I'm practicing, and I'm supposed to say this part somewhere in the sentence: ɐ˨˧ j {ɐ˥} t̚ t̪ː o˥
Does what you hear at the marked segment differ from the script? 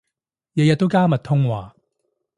yes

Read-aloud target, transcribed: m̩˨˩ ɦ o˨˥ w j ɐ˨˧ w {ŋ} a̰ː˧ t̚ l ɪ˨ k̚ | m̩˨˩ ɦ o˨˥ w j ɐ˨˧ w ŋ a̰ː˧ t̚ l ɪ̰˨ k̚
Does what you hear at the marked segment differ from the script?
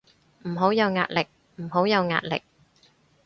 no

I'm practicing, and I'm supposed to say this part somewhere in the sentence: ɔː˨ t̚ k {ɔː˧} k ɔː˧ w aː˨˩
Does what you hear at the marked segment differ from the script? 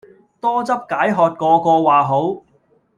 no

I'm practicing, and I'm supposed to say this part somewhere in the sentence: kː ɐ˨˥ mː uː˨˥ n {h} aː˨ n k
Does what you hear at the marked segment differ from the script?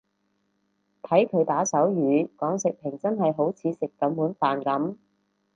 yes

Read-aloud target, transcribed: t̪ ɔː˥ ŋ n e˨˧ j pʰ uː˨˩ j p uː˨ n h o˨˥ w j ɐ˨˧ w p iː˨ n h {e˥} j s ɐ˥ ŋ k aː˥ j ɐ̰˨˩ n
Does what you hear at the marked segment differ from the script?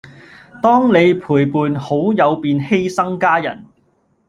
no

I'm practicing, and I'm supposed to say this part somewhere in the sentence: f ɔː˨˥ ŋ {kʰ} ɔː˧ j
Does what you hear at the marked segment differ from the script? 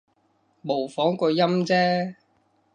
yes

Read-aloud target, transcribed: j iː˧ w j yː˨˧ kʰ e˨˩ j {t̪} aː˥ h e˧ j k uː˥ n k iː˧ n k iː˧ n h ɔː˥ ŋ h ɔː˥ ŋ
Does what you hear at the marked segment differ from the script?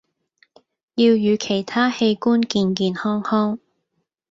yes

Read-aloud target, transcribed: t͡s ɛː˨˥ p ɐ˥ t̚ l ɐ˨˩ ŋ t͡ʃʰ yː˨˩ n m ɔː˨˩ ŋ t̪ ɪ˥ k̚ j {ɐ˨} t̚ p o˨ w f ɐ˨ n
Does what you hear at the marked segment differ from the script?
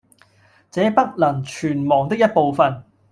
yes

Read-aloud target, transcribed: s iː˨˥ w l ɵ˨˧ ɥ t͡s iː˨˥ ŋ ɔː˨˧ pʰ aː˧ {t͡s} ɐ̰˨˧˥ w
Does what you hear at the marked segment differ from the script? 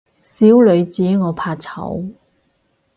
yes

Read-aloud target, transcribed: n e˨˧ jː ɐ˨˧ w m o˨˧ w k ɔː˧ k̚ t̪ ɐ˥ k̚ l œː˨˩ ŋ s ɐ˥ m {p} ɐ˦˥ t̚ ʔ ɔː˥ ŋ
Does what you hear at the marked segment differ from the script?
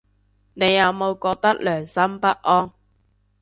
no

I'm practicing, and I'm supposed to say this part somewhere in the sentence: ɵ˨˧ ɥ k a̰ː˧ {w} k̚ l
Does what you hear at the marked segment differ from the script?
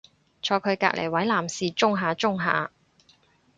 yes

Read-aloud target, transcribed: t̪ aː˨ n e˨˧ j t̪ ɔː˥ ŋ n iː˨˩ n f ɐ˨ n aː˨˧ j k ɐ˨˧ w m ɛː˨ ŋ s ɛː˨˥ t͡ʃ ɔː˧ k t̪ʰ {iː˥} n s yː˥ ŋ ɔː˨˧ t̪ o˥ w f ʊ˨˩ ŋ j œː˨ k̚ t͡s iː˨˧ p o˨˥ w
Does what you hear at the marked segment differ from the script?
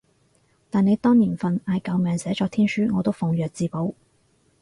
no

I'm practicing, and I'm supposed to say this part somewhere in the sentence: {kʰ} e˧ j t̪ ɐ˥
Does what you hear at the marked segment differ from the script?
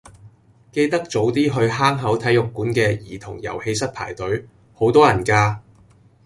yes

